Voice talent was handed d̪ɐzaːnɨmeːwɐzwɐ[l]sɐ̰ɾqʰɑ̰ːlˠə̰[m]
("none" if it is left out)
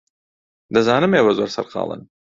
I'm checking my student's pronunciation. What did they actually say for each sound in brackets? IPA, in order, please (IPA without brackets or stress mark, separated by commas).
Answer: ɾ, n